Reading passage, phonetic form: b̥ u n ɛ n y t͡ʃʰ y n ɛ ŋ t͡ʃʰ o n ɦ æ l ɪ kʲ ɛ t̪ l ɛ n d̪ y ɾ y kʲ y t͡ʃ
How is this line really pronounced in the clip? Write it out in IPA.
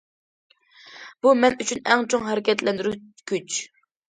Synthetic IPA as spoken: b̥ u m ɛ n y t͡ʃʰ y n ɛ ŋ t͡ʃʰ o ŋ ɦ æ ɾ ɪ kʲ ɛ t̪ l ɛ n d̪ y ɾ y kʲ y t͡ʃ